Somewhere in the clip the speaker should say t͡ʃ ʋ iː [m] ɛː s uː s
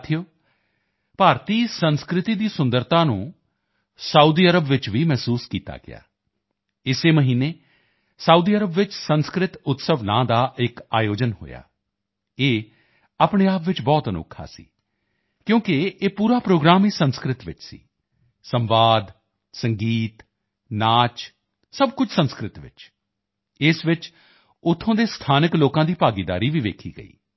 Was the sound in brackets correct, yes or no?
yes